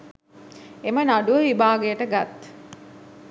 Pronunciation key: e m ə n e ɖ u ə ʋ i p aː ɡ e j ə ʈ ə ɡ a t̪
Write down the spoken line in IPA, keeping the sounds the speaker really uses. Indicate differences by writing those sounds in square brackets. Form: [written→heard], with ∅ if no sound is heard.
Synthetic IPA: e m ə n [e→a] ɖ u ə ʋ i [p→b] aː ɡ e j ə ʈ ə ɡ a t̪